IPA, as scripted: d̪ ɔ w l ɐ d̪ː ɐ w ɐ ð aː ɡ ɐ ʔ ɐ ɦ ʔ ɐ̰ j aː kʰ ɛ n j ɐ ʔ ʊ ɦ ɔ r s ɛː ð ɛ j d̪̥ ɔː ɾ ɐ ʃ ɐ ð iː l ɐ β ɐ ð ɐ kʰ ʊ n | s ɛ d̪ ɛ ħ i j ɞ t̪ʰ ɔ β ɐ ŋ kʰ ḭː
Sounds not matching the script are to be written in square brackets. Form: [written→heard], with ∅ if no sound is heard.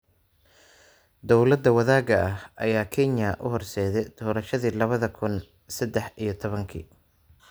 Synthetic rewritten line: d̪ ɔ w l ɐ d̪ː ɐ w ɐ ð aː ɡ ɐ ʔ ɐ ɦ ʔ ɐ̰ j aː kʰ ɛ n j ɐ ʔ ʊ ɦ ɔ r s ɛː ð ɛ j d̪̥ ɔː ɾ ɐ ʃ ɐ ð iː l ɐ β ɐ ð ɐ kʰ ʊ n | s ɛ d̪ ɛ ħ i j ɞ t̪ʰ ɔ β ɐ ŋ kʰ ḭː